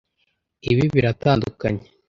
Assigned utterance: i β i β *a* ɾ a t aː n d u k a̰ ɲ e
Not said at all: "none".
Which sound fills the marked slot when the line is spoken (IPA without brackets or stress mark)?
i